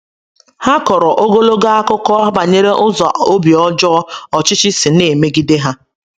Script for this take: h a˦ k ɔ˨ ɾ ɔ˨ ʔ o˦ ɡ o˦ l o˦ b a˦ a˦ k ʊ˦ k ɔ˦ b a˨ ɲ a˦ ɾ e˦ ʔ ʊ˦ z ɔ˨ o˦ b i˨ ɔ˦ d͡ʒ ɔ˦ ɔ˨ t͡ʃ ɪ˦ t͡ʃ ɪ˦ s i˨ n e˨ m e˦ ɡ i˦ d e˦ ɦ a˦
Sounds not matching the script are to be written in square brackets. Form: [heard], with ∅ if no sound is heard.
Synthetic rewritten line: h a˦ k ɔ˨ ɾ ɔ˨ ʔ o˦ ɡ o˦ l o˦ [ɡ] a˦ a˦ k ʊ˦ k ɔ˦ b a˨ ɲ [e˦] ɾ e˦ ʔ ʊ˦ z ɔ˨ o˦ b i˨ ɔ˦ d͡ʒ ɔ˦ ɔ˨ t͡ʃ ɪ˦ t͡ʃ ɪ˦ s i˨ n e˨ m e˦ ɡ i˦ d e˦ ɦ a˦